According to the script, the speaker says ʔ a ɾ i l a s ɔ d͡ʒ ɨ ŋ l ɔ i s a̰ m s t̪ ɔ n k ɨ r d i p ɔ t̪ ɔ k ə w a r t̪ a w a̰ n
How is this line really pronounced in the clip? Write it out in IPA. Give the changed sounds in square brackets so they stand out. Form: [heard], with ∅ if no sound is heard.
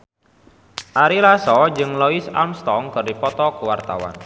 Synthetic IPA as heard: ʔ a ɾ i l a s ɔ d͡ʒ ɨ ŋ l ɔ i s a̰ m s t̪ ɔ [ŋ] k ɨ r d i p ɔ t̪ ɔ k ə w a r t̪ a w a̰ n